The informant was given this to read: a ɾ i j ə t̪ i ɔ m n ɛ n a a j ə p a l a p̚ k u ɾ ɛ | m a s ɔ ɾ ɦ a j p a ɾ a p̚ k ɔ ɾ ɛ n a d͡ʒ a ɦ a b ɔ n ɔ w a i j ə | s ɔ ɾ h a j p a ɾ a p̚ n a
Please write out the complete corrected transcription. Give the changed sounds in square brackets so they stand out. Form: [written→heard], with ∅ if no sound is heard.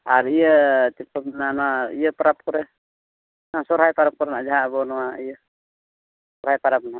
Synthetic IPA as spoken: a ɾ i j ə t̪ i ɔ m n [ɛ→a] n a [a→i] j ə p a [l→ɾ] a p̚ k [u→ɔ] ɾ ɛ | [m→n] a s ɔ ɾ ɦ a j p a ɾ a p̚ k ɔ ɾ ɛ n a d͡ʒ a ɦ a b ɔ n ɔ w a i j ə | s ɔ ɾ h a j p a ɾ a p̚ n a